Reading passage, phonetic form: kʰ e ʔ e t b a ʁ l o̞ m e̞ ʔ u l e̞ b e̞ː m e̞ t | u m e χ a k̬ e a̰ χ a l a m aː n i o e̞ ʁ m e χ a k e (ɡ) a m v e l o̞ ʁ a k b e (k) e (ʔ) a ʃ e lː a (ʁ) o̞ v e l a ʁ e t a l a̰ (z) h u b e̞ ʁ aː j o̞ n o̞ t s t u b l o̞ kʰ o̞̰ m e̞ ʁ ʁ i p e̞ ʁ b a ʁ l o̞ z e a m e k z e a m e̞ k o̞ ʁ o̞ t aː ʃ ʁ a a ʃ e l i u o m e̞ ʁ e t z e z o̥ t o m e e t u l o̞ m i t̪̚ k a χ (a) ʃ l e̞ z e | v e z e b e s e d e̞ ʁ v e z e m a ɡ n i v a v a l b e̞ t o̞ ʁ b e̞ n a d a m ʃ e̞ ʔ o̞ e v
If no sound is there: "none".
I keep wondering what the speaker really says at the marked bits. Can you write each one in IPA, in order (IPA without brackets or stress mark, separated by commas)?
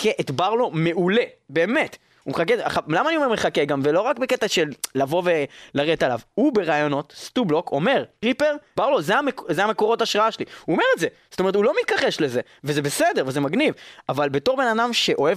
ɡ, k, t, v, v, e